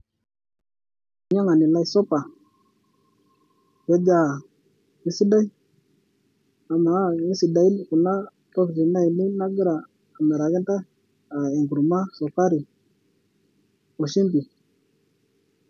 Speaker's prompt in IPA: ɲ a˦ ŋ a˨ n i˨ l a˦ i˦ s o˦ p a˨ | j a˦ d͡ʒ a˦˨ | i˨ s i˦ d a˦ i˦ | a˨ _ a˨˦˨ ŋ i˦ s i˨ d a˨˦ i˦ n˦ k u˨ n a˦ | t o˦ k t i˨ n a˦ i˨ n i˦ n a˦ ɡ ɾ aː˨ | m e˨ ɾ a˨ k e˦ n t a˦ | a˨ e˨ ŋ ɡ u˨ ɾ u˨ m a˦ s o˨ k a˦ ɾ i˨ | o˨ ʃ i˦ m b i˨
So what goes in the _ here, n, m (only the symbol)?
m